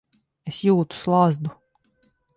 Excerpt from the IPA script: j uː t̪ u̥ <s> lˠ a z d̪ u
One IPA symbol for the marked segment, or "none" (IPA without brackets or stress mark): s